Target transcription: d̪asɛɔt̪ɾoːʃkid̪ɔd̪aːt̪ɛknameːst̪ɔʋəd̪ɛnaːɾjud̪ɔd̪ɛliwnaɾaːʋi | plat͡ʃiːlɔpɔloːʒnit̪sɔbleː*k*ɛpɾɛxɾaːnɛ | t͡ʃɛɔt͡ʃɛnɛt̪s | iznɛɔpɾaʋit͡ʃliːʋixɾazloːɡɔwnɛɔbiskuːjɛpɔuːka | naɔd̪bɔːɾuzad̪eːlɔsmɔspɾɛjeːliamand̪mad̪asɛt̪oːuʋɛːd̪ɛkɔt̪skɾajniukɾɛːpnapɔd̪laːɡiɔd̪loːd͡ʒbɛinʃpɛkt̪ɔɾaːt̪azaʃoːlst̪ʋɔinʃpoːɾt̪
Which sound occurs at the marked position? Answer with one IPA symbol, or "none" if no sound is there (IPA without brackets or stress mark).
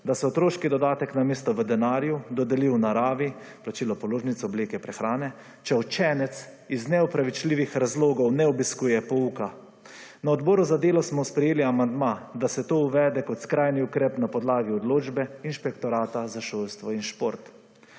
k